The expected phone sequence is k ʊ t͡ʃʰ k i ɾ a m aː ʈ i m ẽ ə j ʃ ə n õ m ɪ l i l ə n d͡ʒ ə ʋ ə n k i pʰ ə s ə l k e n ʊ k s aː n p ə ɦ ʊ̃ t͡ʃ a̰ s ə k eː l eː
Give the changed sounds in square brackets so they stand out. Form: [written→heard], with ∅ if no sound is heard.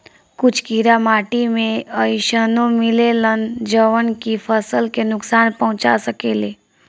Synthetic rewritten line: k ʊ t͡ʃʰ k i ɾ a m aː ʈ i m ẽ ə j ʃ ə n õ m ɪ l [i→e] l ə n d͡ʒ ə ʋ ə n k i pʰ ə s ə l k e n ʊ k s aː n p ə ɦ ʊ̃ t͡ʃ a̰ s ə k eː l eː